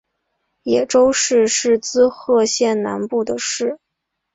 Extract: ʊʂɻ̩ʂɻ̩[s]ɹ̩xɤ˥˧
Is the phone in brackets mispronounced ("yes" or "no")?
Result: yes